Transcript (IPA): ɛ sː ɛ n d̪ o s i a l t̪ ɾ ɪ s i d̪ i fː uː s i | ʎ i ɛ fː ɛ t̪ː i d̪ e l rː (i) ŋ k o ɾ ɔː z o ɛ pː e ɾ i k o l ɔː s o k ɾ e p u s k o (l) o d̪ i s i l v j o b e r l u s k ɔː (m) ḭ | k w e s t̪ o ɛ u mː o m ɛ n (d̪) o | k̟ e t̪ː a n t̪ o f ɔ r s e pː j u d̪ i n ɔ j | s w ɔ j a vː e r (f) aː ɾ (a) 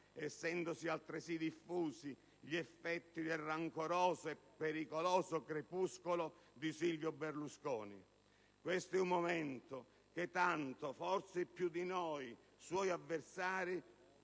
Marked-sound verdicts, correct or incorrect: incorrect: a, correct, incorrect: n, incorrect: t̪, incorrect: s, incorrect: i

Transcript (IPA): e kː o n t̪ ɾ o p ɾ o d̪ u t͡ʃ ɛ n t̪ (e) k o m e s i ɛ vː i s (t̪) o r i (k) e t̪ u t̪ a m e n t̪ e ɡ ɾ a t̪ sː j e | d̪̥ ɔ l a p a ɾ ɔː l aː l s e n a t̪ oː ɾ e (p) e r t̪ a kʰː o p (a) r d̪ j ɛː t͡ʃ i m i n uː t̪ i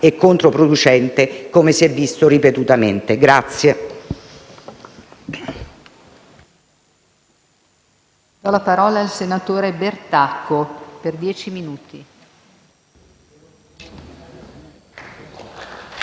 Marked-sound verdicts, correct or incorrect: correct, correct, incorrect: p, incorrect: b, incorrect: e

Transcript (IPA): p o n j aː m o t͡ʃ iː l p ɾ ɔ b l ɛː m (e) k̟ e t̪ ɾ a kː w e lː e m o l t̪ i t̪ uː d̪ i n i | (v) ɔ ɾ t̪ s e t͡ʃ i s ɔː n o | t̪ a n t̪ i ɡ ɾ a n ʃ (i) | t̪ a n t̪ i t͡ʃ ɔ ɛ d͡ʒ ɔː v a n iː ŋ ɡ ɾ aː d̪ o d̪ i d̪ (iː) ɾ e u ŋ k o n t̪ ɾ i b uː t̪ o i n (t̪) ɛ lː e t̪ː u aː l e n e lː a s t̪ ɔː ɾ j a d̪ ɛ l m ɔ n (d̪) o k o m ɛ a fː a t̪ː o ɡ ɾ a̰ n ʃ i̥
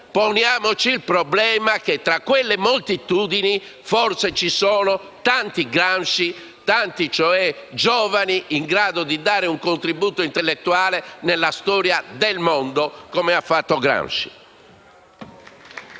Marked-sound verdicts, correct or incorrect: incorrect: a, incorrect: f, correct, incorrect: aː, correct, correct

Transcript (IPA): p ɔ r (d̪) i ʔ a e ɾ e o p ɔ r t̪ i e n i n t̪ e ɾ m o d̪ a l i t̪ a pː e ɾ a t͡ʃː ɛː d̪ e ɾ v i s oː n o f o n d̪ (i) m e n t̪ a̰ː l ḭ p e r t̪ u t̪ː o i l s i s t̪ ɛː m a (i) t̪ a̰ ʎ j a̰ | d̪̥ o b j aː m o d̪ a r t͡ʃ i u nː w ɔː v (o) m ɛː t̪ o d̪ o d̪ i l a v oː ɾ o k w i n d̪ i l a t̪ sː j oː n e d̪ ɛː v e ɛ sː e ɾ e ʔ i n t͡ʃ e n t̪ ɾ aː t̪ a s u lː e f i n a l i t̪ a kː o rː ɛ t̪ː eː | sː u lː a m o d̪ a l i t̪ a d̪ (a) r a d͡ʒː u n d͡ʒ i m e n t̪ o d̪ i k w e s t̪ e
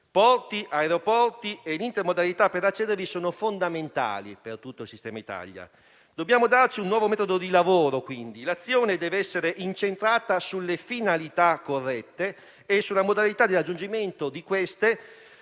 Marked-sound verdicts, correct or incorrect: incorrect: t̪, incorrect: a, correct, correct, incorrect: i

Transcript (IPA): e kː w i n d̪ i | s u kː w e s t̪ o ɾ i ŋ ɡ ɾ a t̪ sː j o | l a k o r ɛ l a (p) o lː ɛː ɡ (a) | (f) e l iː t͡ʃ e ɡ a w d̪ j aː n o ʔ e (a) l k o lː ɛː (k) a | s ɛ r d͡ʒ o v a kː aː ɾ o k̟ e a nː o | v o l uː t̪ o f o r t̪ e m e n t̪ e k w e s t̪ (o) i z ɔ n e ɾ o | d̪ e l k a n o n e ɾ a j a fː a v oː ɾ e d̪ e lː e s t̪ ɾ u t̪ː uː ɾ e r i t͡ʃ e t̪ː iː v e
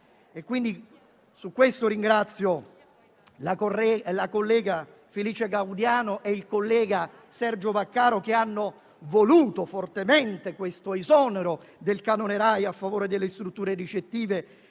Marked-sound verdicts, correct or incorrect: incorrect: k, correct, correct, incorrect: i, incorrect: ɡ, correct

